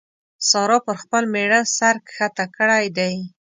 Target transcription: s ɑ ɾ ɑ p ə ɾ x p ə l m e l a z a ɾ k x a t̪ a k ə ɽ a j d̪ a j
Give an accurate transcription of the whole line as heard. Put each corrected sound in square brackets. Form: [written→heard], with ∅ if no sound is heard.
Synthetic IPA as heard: s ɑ ɾ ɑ p ə ɾ x p ə l m e [l→ɽ] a [z→s] a ɾ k x a t̪ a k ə ɽ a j d̪ a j